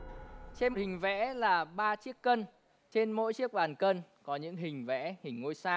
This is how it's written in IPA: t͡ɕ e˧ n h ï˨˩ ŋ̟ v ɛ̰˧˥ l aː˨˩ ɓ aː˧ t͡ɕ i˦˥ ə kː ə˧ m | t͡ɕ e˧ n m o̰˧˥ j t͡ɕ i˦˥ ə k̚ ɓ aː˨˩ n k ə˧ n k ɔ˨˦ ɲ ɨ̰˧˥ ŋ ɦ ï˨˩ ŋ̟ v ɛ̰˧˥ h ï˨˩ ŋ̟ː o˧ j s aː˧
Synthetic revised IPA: t͡ɕ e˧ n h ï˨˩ ŋ̟ v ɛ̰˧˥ l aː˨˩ ɓ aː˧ t͡ɕ i˦˥ ə kː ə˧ n | t͡ɕ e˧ n m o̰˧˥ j t͡ɕ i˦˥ ə k̚ ɓ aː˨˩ n k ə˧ n k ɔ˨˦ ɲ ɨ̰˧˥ ŋ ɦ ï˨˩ ŋ̟ v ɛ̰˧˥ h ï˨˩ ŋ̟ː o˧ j s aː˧